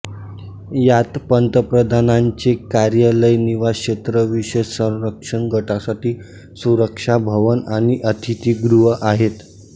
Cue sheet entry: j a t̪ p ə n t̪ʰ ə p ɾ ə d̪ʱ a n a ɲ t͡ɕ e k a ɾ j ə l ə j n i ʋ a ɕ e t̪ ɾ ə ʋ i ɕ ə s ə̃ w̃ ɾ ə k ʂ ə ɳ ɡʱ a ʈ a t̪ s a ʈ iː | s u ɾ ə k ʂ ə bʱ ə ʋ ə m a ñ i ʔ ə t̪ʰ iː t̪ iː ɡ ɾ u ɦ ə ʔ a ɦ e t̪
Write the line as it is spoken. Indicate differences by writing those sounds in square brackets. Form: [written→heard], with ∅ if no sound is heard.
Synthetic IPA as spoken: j a t̪ p ə n [t̪ʰ→t̪] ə p ɾ ə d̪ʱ a n a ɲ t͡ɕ e k a ɾ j ə l ə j n i ʋ a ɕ e t̪ ɾ ə ʋ i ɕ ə s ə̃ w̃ ɾ ə k ʂ ə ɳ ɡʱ [a→ə] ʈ a [t̪→∅] s a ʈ iː | s u ɾ ə k ʂ [ə→a] bʱ ə ʋ ə [m→n] a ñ i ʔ ə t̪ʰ [iː→i] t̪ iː ɡ ɾ u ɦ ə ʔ a ɦ e t̪